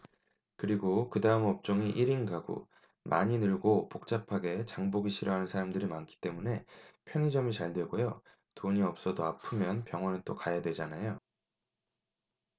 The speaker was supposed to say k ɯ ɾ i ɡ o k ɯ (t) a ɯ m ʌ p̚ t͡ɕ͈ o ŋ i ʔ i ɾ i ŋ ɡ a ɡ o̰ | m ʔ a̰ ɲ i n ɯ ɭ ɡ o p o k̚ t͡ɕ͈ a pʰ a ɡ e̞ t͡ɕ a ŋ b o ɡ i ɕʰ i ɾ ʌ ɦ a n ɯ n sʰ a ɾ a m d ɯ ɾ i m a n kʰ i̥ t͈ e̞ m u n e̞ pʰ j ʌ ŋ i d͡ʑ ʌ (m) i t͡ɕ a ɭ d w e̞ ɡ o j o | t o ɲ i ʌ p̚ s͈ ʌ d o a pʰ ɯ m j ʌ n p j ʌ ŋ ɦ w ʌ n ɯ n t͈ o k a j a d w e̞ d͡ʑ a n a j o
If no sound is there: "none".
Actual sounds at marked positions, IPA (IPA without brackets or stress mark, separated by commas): d, m